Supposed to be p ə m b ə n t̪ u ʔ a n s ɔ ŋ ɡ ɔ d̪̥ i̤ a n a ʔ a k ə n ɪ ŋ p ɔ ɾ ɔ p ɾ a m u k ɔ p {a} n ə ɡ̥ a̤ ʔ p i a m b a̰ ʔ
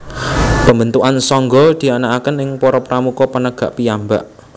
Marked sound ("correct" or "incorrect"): incorrect